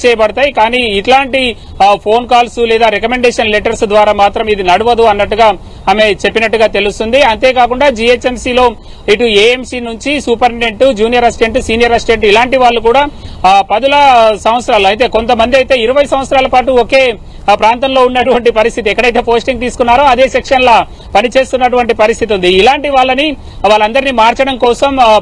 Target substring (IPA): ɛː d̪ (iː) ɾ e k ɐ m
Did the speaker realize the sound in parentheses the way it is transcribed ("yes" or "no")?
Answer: no